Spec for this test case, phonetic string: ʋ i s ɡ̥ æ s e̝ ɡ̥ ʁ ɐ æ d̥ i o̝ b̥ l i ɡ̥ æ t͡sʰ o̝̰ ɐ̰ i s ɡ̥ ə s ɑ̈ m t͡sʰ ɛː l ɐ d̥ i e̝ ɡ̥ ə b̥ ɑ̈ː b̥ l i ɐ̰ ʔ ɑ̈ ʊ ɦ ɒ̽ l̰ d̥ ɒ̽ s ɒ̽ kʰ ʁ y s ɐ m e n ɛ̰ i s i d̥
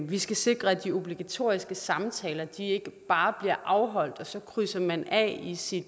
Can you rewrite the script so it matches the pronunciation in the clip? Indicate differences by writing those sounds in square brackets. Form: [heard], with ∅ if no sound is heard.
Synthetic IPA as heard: ʋ i s ɡ̥ æ s e̝ ɡ̥ ʁ ɐ æ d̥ i o̝ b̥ l i ɡ̥ æ t͡sʰ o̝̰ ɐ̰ i s ɡ̥ ə s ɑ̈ m t͡sʰ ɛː l ɐ d̥ i e̝ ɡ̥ ə b̥ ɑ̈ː b̥ l i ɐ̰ ʔ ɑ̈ ʊ ɦ ɒ̽ l̰ d̥ ɒ̽ s ɒ̽ kʰ ʁ y s ɐ m [æ] n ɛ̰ i s i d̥